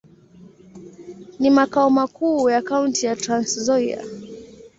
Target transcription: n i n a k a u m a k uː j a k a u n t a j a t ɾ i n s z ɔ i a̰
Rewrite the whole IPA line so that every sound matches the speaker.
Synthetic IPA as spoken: n i m a k a ɔ m a k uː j a k a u n t i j a t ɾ a n s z ɔ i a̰

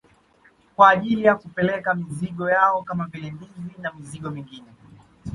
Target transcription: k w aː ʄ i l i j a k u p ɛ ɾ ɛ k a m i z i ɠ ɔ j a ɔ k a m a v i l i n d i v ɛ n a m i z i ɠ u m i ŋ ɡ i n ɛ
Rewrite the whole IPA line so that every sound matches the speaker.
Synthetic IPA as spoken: k w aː ʄ i l i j a k u p ɛ l ɛ k a m i z i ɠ ɔ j a ɔ k a m a v i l ɛ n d i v i n a m i z i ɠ ɔ m i ŋ ɡ i n ɛ

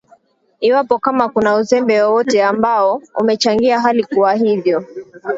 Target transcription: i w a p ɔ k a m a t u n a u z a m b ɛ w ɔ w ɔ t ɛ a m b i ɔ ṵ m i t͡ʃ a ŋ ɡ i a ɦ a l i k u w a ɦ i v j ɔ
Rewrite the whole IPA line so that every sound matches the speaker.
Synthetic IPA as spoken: i w a p ɔ k a m a k u n a u z ɛ m b ɛ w ɔ w ɔ t ɛ a m b a ɔ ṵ m ɛ t͡ʃ a ŋ ɡ i a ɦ a l i k u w a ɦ i v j ɔ

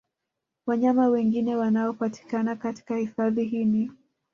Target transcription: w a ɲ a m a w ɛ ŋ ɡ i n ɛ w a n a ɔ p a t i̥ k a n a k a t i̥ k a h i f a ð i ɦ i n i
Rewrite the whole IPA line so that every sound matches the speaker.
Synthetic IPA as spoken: w a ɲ a m a w ɛ ŋ ɡ i n ɛ w a n a ɔ p a t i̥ k a n a k a t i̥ k a h i f a ð i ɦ i n i

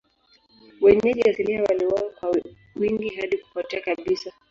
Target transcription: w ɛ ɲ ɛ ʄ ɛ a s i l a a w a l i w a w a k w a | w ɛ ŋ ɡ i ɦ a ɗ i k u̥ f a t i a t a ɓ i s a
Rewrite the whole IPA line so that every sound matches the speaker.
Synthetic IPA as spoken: w ɛ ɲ ɛ ʄ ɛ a s i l i a w a l i w a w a k w a | w i ŋ ɡ i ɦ a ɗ i k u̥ f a t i a k a ɓ i s a

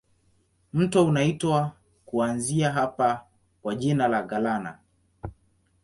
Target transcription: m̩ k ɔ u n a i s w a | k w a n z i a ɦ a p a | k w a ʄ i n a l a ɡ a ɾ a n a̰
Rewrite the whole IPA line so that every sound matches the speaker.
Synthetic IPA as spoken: m̩ t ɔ u n a i t w a | k u a n z i a ɦ a p a | k w a ʄ i n a l a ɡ a l a n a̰

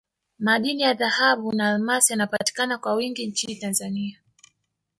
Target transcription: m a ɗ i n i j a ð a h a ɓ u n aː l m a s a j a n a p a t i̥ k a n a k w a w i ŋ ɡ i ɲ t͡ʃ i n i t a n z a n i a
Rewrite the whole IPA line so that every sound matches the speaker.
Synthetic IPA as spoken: m a ɗ i n i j a ð a h a ɓ u n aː l m a s i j a n a p a t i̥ k a n a k w a w i ŋ ɡ i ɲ t͡ʃ i n i t a n z a n i a

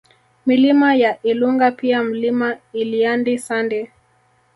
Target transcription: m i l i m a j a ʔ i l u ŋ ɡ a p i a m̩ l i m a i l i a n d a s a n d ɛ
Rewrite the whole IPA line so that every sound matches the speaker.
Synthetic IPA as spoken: m i l i m a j a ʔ i l u ŋ ɡ a p i a m̩ l i m a i l i a n d i s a n d ɛ

